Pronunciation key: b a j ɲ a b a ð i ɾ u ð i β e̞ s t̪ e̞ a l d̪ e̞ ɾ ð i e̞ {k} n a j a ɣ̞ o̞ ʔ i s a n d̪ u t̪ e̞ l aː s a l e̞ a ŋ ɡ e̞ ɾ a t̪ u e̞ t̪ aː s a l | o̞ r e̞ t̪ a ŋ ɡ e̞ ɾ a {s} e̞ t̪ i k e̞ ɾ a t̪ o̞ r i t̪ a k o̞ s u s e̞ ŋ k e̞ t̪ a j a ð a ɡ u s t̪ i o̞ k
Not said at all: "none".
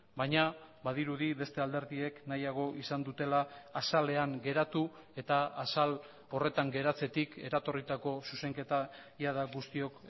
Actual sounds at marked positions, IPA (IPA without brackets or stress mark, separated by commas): k, t͡s